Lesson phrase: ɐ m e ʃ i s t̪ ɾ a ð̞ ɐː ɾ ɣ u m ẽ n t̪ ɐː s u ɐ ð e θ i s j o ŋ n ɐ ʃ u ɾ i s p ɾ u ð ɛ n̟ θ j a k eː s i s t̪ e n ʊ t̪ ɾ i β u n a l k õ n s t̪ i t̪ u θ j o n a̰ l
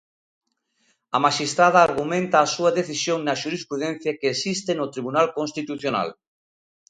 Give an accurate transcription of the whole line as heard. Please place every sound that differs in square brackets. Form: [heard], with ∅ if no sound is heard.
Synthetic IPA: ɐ m [a] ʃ i s t̪ ɾ a ð̞ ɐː ɾ ɣ u m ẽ n t̪ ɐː s u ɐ ð e θ i s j o ŋ n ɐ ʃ u ɾ i s p ɾ u ð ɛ n̟ θ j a k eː s i s t̪ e n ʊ t̪ ɾ i β u n a l k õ n s t̪ i t̪ u θ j o n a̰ l